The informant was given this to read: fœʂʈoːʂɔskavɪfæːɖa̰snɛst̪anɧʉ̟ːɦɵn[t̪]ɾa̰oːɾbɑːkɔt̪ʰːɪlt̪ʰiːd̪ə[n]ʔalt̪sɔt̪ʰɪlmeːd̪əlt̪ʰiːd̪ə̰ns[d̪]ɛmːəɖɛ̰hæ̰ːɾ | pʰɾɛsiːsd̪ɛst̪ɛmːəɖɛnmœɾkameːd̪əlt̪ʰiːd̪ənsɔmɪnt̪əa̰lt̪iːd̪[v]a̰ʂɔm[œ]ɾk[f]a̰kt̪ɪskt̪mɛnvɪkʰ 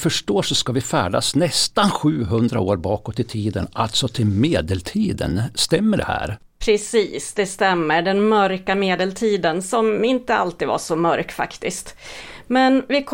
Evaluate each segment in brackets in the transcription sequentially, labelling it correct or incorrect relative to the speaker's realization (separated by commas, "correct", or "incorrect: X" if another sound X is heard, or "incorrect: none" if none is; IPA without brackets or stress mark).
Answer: incorrect: d̪, correct, incorrect: t̪, correct, correct, correct